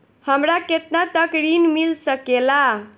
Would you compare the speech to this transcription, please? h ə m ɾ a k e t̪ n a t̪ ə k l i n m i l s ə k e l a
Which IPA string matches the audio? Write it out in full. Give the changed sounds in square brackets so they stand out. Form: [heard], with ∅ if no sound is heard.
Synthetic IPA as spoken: h ə m ɾ a k e t̪ n a t̪ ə k [ɾ] i n m i l s ə k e l a